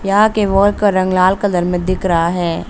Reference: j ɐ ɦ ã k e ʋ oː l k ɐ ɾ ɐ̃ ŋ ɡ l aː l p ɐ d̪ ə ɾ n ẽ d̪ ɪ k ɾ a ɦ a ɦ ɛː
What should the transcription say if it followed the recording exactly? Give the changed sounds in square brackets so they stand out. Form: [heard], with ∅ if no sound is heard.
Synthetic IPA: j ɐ ɦ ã k e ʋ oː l k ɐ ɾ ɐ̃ ŋ ɡ l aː l [k] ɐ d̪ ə ɾ [m] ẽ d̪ ɪ k ɾ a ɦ a ɦ ɛː